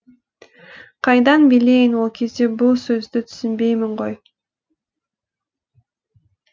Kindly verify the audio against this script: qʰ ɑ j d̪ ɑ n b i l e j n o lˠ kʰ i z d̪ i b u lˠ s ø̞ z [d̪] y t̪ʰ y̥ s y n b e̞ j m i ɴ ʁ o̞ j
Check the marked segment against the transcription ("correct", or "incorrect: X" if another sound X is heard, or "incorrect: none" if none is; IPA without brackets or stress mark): correct